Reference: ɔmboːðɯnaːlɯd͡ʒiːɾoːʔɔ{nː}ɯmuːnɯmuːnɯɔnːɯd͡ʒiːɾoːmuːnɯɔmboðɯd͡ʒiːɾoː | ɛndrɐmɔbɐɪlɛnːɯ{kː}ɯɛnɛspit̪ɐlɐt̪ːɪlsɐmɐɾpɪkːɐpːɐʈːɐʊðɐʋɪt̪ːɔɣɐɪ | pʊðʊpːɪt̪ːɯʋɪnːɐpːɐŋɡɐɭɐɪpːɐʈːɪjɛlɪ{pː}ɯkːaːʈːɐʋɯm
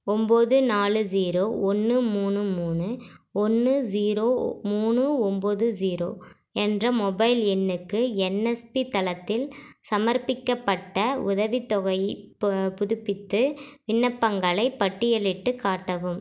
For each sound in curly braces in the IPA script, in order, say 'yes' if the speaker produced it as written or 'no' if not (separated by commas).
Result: yes, yes, no